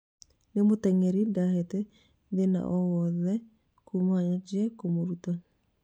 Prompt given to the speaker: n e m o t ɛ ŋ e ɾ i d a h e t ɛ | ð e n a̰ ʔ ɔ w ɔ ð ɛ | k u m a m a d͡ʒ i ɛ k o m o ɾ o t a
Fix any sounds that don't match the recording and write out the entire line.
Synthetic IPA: n e m o t ɛ ŋ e ɾ i d a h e t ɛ | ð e n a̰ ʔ ɔ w ɔ ð ɛ | k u m a ɲ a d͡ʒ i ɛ k o m o ɾ u t a

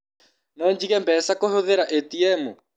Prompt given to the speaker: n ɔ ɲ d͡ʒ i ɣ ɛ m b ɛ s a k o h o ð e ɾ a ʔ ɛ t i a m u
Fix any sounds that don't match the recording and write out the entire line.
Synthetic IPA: n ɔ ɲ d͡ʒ i ɣ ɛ m b ɛ s a k o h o ð e ɾ a ʔ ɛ t i ɛ m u

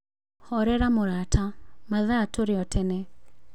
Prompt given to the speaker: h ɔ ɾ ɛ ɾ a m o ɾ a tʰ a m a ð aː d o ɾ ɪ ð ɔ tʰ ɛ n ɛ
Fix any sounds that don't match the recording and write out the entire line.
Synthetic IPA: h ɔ ɾ ɛ ɾ a m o ɾ a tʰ a m a ð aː t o ɾ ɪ ɔ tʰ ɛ n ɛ

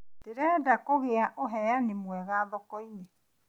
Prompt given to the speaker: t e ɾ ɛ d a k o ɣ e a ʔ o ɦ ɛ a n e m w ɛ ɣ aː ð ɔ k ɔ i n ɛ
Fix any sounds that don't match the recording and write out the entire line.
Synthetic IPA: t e ɾ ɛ d a k o ɣ e a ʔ o ɦ ɛ a n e m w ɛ ɣ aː ð ɔ k ɔ i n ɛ

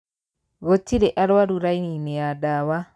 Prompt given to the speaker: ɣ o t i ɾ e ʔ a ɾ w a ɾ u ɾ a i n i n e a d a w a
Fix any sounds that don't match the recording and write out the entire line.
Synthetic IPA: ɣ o t i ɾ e ʔ a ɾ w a ɾ u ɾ a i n i n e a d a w a

